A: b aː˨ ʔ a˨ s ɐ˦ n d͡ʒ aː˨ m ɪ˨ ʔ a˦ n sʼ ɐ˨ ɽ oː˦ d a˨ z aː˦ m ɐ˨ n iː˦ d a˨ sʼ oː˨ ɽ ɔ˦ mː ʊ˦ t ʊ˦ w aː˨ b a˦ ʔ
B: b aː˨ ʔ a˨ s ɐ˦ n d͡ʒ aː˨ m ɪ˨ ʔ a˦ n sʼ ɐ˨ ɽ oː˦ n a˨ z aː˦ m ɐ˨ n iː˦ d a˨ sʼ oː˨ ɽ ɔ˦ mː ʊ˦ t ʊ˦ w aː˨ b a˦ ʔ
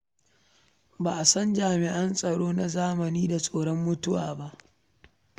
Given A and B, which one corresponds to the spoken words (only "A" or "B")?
B